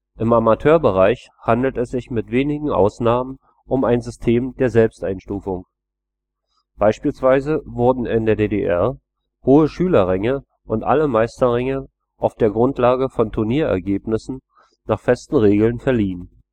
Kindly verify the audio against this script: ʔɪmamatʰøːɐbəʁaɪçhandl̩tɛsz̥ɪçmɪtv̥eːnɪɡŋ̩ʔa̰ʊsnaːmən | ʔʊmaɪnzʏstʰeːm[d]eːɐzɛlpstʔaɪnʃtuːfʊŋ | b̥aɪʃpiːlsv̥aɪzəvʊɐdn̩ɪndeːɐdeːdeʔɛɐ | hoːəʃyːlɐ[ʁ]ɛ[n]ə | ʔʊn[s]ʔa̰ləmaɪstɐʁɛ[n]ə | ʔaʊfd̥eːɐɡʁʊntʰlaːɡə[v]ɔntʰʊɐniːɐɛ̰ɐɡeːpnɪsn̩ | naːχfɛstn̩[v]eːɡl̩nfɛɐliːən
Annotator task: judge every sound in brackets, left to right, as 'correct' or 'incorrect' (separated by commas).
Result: correct, correct, incorrect, incorrect, incorrect, incorrect, incorrect